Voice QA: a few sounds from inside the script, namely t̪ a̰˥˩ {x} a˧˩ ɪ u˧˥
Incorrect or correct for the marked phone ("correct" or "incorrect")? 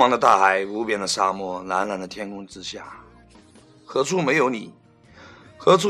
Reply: correct